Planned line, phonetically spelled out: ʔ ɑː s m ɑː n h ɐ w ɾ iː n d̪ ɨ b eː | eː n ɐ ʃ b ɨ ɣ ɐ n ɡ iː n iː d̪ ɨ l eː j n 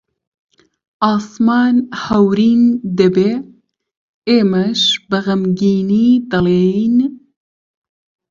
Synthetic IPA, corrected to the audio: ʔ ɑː s m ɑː n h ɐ w ɾ iː n d̪ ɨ b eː | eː m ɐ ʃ b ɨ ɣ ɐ m ɡ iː n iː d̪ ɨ l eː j n